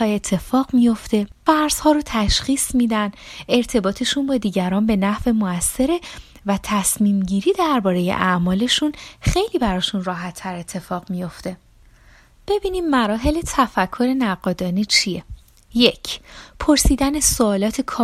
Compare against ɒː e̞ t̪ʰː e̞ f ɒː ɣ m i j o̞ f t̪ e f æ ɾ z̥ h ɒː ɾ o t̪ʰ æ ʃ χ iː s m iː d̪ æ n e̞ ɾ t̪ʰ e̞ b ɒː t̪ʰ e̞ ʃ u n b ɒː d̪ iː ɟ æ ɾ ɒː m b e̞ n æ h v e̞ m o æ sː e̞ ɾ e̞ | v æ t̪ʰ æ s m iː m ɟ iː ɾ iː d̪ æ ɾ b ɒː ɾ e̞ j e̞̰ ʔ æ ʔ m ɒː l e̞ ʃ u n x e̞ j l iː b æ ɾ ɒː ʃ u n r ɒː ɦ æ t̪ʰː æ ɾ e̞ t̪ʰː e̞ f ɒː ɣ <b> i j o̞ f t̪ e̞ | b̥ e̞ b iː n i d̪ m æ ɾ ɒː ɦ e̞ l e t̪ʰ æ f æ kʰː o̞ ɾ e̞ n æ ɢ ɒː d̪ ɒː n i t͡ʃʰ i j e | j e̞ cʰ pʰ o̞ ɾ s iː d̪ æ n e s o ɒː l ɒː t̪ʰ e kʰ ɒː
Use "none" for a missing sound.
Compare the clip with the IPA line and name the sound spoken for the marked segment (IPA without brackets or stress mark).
m